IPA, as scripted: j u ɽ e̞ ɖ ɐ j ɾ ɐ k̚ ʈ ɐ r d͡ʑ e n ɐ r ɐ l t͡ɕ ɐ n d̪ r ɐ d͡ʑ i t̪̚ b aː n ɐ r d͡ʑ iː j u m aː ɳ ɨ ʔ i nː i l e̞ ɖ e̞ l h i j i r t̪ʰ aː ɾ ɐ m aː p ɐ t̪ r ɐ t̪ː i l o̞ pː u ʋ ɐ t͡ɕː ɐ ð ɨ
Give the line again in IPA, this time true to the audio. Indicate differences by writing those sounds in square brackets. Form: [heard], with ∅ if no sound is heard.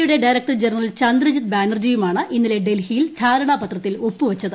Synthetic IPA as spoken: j u ɽ e̞ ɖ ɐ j ɾ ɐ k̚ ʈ ɐ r d͡ʑ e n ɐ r ɐ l t͡ɕ ɐ n d̪ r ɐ d͡ʑ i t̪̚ b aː n ɐ r d͡ʑ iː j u m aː ɳ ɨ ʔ i nː i l e̞ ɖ e̞ l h i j i [l] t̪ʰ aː ɾ ɐ [ɳ] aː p ɐ t̪ r ɐ t̪ː i l o̞ pː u ʋ ɐ t͡ɕː ɐ ð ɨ